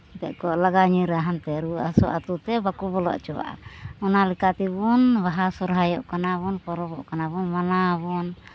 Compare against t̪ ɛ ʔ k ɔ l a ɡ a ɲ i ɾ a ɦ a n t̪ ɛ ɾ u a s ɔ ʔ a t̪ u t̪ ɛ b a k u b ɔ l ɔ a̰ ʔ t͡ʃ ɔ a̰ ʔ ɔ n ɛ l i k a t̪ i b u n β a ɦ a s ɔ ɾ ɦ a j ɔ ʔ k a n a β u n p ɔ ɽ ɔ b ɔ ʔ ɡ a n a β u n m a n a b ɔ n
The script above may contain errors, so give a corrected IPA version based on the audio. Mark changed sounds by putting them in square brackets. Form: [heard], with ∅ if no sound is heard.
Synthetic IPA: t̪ ɛ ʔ k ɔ l a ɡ a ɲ i ɾ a ɦ a n t̪ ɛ ɾ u a s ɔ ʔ a t̪ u t̪ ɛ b a k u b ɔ l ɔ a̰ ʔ t͡ʃ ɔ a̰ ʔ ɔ n [a] l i k a t̪ i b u n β a ɦ a s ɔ ɾ ɦ a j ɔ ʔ k a n a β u n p ɔ [ɾ] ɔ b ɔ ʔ [k] a n a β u n m a n a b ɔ n